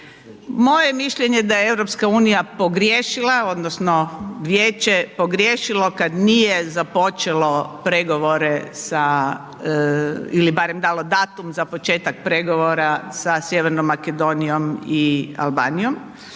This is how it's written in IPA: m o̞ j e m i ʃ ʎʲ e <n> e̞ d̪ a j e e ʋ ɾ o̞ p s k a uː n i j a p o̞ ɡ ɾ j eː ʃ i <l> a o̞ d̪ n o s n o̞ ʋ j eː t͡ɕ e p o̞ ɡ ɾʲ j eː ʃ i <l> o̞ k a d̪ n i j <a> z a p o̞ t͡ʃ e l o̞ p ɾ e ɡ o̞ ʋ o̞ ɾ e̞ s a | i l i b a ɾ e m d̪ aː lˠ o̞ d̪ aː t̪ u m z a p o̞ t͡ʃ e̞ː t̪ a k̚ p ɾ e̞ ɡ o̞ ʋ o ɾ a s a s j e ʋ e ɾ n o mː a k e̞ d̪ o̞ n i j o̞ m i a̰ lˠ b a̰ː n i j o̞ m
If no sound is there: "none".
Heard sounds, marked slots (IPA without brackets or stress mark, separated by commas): ɲ, l, l, e